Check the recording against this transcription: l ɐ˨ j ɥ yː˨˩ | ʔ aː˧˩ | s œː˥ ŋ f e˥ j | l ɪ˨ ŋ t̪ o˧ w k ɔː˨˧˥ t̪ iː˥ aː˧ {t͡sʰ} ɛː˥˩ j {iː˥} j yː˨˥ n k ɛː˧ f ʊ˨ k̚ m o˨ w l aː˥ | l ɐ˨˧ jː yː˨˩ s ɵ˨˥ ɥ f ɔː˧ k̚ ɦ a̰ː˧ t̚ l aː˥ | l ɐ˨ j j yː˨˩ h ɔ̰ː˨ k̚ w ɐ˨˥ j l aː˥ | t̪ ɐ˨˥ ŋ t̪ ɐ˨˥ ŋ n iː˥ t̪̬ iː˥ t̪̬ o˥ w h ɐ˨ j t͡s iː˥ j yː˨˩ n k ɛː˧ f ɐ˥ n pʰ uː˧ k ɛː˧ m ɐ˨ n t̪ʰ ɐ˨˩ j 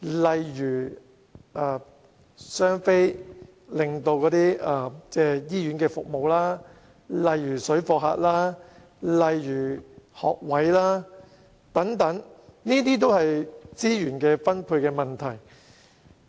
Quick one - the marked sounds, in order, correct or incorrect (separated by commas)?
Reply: incorrect, correct